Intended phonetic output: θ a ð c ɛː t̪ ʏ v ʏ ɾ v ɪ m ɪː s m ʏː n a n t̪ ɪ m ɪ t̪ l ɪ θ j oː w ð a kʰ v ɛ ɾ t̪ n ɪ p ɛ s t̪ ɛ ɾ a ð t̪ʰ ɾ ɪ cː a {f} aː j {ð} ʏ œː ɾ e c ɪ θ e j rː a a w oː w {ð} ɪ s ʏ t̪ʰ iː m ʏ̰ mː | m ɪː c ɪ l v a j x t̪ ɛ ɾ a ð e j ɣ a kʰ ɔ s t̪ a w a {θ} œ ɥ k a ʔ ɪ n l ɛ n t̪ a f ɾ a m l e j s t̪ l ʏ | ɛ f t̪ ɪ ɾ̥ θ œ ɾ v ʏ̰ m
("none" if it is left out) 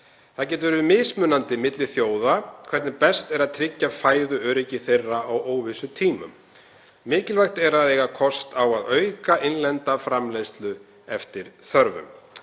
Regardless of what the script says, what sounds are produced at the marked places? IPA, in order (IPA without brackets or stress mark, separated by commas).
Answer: f, ð, v, ð